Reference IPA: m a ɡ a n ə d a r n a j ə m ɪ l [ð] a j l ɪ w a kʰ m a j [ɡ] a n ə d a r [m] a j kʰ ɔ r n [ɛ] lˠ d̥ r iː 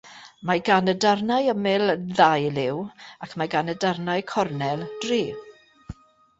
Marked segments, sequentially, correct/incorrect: correct, correct, incorrect: n, correct

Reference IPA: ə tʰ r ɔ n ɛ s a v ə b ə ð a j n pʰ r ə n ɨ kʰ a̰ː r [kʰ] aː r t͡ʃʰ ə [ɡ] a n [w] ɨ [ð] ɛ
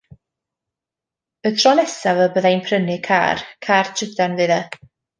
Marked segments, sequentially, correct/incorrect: correct, incorrect: d, incorrect: v, correct

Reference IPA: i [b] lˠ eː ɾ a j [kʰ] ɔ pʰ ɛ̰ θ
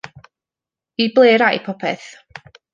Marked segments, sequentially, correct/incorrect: correct, incorrect: pʰ

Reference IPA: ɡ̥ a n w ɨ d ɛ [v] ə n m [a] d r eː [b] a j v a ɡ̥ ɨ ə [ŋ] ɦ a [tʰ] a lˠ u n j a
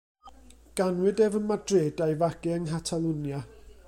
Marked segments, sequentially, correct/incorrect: correct, correct, incorrect: d, correct, correct

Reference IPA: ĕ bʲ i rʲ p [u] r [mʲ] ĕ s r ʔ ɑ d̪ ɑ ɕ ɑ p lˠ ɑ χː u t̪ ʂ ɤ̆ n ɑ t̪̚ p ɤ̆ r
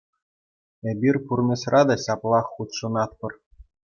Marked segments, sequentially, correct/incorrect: correct, correct

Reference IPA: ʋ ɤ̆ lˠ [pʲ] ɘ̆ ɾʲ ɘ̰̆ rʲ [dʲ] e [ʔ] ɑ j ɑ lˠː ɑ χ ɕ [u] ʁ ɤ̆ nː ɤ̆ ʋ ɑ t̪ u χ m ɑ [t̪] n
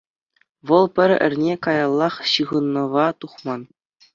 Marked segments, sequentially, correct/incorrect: correct, incorrect: nʲ, incorrect: k, incorrect: ɯ, incorrect: none

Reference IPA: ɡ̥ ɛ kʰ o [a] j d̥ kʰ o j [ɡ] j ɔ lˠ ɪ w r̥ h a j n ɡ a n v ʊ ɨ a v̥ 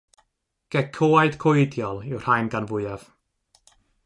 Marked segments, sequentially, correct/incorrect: correct, incorrect: d

